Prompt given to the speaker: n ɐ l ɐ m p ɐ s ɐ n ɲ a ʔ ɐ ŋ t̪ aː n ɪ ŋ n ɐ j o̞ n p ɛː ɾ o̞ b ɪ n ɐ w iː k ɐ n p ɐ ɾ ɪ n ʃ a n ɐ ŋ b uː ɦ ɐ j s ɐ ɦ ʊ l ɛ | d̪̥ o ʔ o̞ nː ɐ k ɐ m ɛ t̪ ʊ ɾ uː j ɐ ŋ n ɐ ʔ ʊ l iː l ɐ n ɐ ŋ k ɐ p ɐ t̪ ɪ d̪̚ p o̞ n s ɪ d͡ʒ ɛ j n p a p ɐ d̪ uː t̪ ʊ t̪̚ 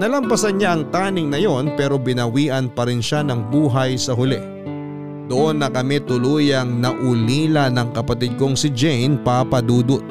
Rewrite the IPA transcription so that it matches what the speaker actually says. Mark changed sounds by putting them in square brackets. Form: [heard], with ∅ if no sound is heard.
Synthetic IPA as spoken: n ɐ l ɐ m p ɐ s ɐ n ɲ a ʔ ɐ ŋ t̪ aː n ɪ ŋ n ɐ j o̞ n p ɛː ɾ o̞ b ɪ n ɐ w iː [ʔ] ɐ n p ɐ ɾ ɪ n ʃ a n ɐ ŋ b uː ɦ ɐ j s ɐ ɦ ʊ l ɛ | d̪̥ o ʔ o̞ nː ɐ k ɐ m ɛ t̪ ʊ [l] uː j ɐ ŋ n ɐ ʔ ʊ l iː l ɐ n ɐ ŋ k ɐ p ɐ t̪ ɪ d̪̚ [k] o̞ [ŋ] s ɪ d͡ʒ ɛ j n p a p ɐ d̪ uː [d̪] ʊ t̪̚